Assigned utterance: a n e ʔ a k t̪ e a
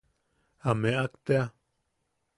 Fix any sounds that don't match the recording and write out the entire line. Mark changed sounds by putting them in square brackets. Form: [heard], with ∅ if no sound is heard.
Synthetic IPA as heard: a [m] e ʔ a k t̪ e a